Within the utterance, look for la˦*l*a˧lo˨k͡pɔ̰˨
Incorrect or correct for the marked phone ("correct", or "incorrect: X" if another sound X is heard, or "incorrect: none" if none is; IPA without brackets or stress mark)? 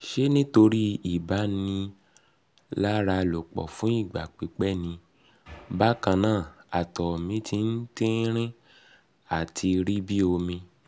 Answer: incorrect: ɾ